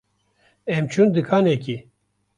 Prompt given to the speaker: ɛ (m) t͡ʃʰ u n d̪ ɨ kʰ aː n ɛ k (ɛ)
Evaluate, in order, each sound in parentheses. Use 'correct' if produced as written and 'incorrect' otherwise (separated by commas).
correct, incorrect